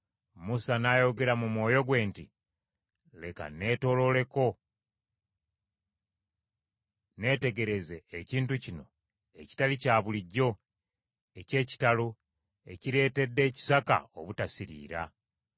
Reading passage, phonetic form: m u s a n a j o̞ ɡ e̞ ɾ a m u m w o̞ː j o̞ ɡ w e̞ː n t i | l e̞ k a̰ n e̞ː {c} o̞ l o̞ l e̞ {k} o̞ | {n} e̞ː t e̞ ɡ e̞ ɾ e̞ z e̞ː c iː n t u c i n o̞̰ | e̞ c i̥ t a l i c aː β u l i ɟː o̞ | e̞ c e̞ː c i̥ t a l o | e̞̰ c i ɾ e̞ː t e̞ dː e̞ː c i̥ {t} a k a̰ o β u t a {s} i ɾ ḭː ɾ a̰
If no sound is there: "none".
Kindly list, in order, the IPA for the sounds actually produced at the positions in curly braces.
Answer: t, k, n, s, s

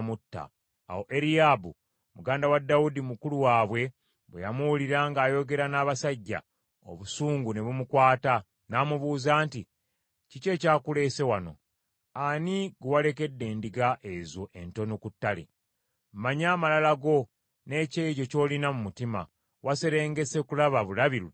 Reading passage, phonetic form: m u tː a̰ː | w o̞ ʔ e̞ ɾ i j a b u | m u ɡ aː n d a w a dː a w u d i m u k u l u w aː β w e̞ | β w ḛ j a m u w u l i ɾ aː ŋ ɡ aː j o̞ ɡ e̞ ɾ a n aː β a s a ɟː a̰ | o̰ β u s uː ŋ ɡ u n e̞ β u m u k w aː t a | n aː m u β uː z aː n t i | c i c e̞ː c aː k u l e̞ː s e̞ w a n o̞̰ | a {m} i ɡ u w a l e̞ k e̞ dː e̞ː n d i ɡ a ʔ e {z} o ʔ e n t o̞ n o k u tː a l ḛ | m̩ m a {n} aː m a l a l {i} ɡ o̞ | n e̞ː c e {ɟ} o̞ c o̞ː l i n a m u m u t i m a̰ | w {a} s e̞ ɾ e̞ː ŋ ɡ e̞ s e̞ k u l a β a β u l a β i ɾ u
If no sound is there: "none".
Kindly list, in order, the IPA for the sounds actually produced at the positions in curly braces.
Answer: n, z, ɲ, a, ɟ, a

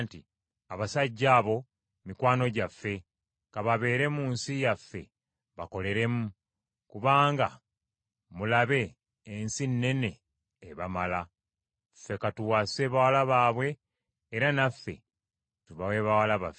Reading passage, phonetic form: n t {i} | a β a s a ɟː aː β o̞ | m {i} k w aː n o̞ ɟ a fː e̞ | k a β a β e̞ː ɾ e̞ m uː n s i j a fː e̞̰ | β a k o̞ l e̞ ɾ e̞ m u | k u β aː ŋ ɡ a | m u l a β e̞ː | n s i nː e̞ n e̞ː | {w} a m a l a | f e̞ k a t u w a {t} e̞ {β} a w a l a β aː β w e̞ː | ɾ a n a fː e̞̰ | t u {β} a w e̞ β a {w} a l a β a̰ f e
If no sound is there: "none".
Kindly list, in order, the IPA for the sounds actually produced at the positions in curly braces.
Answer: i, i, β, s, β, β, w

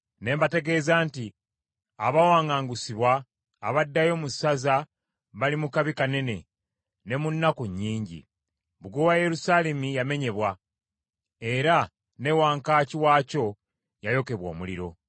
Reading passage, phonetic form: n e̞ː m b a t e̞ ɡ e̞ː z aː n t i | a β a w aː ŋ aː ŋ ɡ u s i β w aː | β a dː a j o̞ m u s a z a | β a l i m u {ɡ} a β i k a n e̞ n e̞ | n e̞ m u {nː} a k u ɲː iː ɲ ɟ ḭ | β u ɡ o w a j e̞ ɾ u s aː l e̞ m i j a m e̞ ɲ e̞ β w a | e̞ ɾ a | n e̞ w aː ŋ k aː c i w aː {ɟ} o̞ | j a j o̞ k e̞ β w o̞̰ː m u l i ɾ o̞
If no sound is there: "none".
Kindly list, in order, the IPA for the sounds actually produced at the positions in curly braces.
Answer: k, nː, c

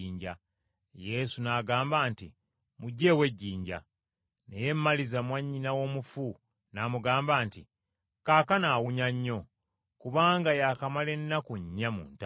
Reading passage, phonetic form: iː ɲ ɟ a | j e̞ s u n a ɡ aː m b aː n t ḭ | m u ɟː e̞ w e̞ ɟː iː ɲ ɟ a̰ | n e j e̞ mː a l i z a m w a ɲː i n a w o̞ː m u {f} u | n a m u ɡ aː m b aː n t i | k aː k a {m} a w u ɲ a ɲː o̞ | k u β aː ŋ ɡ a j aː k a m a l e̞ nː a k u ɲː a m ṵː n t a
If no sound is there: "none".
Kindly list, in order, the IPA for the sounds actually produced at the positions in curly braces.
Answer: f, n

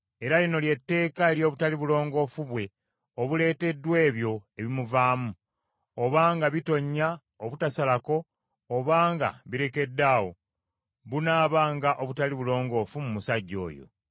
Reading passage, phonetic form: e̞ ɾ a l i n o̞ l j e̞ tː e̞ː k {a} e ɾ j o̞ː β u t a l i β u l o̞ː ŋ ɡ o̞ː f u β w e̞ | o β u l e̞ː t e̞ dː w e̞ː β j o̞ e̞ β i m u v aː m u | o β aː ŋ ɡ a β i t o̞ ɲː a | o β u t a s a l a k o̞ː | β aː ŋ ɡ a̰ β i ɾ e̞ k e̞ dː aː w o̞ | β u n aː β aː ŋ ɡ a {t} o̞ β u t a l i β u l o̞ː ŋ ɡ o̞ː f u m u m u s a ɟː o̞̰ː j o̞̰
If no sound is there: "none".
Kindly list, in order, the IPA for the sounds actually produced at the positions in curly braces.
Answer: a, ʔ

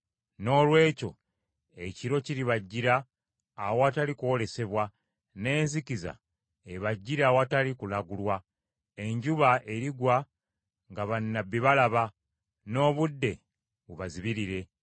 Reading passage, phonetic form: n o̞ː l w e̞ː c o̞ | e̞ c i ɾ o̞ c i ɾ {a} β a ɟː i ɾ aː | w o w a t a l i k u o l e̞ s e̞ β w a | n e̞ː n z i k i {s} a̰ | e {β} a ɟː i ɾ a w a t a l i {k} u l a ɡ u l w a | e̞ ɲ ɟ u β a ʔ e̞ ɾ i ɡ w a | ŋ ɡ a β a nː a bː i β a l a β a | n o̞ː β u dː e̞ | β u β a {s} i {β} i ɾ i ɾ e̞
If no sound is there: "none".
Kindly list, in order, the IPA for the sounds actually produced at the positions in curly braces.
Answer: i, z, β, k, z, β

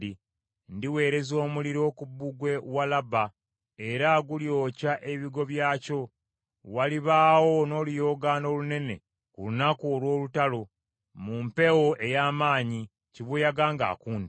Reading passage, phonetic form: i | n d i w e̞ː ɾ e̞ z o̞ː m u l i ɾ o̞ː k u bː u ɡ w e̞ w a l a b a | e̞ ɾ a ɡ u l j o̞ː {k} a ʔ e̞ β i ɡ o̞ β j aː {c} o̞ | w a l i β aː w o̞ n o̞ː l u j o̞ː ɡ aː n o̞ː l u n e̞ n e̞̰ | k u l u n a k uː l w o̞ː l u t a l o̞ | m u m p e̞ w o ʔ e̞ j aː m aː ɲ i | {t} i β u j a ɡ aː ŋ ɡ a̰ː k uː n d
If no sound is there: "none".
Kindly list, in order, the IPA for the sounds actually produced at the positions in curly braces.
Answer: c, c, c

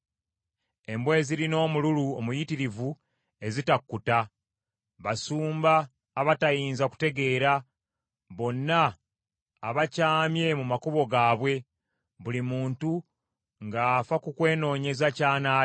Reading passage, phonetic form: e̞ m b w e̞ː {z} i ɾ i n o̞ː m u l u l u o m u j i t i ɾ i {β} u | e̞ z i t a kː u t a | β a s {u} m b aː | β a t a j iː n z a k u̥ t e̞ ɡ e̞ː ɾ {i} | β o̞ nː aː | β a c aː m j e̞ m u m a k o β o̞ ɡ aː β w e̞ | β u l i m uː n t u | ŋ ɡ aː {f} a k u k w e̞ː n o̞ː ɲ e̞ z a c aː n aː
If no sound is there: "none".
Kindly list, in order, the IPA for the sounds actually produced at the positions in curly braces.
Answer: z, v, uː, a, f

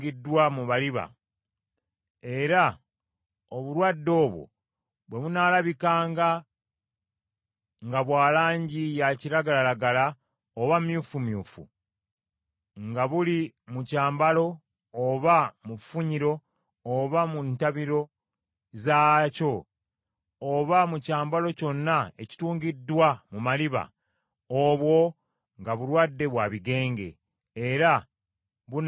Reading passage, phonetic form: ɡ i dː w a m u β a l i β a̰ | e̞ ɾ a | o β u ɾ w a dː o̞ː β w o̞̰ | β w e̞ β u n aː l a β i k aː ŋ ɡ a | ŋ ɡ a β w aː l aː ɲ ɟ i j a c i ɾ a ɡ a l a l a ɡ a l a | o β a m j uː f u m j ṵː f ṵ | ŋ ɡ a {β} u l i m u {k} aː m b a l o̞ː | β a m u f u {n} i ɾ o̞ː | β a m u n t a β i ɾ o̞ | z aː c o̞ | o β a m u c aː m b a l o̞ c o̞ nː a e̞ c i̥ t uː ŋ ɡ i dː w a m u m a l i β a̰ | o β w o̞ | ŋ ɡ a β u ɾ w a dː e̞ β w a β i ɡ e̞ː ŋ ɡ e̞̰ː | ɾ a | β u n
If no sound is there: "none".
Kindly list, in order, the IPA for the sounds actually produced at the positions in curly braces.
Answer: β, c, ɲ

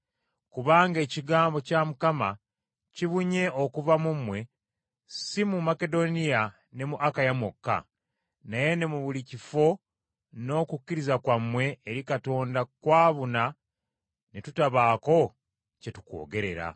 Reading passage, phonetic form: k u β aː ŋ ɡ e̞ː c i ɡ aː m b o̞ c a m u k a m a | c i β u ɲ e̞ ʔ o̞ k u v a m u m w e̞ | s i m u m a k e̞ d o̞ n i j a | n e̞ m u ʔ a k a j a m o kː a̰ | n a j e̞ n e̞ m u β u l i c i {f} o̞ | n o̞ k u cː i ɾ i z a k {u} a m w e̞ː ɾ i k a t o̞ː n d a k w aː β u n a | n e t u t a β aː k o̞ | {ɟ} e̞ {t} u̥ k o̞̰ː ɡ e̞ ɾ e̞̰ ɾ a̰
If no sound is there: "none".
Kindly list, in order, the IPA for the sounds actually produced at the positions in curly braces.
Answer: f, w, c, t

